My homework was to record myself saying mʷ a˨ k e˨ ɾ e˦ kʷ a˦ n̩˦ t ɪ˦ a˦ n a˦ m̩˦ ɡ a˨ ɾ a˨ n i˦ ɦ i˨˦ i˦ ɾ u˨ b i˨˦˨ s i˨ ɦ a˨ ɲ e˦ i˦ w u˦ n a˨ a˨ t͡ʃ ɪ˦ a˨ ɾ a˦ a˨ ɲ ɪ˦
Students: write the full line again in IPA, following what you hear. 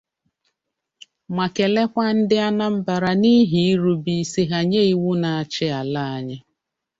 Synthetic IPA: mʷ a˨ k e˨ l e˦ kʷ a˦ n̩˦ d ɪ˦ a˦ n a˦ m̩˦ b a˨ ɾ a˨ n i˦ ɦ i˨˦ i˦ ɾ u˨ b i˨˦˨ s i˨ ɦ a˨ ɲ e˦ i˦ w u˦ n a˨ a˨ t͡ʃ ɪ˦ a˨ l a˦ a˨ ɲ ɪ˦